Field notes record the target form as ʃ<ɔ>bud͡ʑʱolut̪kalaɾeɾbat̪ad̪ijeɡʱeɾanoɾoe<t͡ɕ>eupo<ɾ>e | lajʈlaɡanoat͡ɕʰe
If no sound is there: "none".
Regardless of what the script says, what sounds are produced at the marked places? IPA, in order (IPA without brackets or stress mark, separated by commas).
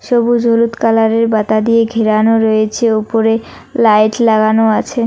o, t͡ɕʰ, ɾ